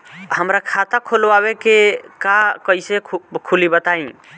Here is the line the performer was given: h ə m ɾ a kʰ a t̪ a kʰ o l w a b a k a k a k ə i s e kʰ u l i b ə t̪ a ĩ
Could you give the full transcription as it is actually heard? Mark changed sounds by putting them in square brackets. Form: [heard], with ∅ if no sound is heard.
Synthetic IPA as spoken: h ə m ɾ a kʰ a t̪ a kʰ o l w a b [e] k [e] k a k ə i s e kʰ u l i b ə t̪ a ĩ

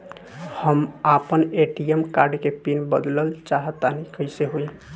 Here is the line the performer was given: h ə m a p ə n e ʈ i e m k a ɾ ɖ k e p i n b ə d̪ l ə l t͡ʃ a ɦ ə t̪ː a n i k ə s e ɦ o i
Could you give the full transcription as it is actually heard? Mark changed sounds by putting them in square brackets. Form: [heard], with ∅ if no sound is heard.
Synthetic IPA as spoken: h ə m a p ə n e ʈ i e m k a ɾ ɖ k e p i n b ə d̪ l ə l t͡ʃ a ɦ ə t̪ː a n i k ə s e ɦ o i

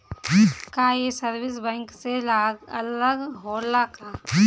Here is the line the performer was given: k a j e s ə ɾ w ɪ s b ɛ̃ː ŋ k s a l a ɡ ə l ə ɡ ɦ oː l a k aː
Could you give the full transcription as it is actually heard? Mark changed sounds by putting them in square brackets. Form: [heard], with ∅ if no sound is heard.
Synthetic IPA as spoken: k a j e s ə ɾ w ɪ s b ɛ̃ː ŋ k s [e] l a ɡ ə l ə ɡ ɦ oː l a k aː

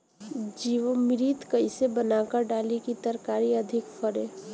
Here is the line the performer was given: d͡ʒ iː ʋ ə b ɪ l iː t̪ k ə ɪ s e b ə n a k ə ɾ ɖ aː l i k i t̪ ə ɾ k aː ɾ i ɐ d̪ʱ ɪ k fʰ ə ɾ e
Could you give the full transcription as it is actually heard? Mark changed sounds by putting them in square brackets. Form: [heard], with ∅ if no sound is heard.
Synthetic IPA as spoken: d͡ʒ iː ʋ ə [m] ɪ [ɾ] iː t̪ k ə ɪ s e b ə n a k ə ɾ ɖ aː l i k i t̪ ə ɾ k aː ɾ i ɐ d̪ʱ ɪ k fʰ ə ɾ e

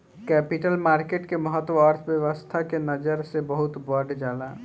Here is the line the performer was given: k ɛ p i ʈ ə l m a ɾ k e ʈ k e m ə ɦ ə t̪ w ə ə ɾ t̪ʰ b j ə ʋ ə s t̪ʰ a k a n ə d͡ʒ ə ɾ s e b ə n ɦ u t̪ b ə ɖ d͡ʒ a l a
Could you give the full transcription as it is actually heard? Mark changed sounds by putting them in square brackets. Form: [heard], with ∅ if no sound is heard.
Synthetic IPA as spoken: k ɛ p i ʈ ə l m a ɾ k e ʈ k e m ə ɦ ə t̪ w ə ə ɾ t̪ʰ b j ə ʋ ə s t̪ʰ a k [e] n ə d͡ʒ ə ɾ s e b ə [∅] ɦ u t̪ b ə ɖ d͡ʒ a l a

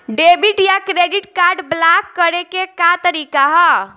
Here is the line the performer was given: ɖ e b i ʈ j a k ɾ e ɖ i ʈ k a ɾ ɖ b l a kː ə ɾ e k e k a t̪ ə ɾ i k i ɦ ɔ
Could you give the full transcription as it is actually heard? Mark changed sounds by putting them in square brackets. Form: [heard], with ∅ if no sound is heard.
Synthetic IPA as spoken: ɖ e b i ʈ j a k ɾ e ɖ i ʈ k a ɾ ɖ b l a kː ə ɾ e k e k a t̪ ə ɾ i k [a] ɦ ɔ

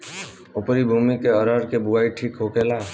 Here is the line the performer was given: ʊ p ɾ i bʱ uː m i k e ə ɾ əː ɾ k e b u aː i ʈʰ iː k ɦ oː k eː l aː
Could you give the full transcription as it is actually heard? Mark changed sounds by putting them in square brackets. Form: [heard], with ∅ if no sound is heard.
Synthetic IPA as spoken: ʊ p ɾ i bʱ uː m i k e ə ɾ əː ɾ k e b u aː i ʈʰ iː k ɦ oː k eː l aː

